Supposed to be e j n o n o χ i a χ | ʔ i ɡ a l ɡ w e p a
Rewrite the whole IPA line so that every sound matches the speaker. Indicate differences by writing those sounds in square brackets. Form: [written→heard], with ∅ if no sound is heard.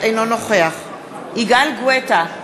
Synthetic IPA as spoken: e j n o n o χ [i→e] a χ | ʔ i ɡ a l ɡ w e [p→t] a